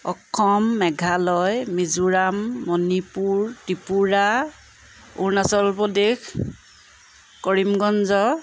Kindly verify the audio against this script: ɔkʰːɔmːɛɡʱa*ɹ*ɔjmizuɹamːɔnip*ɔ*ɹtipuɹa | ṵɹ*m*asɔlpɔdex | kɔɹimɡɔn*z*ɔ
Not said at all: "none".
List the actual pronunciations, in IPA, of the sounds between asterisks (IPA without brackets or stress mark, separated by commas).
l, u, n, z